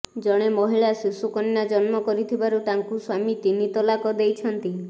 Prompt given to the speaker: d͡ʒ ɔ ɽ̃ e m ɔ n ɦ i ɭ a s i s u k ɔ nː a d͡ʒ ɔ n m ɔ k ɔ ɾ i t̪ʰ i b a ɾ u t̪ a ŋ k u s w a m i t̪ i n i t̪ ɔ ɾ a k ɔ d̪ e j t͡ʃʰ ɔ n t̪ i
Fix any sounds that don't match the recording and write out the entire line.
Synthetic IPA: d͡ʒ ɔ ɽ̃ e m ɔ ɦ i ɭ a s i s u k ɔ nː a d͡ʒ ɔ n m ɔ k ɔ ɾ i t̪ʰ i b a ɾ u t̪ a ŋ k u s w a m i t̪ i n i t̪ ɔ l a k ɔ d̪ e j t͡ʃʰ ɔ n t̪ i